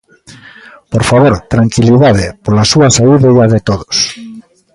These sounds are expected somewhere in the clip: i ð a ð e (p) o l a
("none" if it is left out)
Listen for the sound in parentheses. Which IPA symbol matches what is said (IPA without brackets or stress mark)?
p